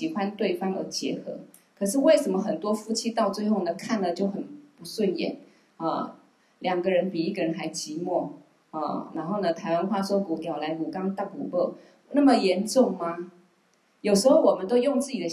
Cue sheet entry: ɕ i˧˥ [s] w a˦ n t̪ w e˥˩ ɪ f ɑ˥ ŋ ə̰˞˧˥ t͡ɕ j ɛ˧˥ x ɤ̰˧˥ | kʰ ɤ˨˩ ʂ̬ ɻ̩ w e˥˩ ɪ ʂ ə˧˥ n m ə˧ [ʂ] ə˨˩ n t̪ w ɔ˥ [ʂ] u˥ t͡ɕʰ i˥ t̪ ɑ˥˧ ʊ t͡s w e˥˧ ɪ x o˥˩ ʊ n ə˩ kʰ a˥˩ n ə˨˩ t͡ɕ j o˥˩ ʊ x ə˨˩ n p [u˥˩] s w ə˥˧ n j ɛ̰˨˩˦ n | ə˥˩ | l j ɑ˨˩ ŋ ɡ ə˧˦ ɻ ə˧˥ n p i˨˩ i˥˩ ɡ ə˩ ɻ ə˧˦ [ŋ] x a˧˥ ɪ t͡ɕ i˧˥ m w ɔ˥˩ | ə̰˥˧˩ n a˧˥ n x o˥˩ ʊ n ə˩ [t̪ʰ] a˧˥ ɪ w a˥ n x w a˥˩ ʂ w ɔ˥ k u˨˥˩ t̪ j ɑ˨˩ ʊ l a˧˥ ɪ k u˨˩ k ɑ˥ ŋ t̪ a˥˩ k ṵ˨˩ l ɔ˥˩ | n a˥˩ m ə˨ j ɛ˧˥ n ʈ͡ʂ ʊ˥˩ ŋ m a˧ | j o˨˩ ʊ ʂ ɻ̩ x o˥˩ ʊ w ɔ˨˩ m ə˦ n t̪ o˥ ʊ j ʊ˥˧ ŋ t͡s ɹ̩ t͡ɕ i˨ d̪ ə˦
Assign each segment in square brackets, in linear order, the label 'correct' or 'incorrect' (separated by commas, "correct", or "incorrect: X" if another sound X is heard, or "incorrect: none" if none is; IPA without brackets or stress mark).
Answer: incorrect: x, incorrect: x, incorrect: f, incorrect: u˧˥, incorrect: n, correct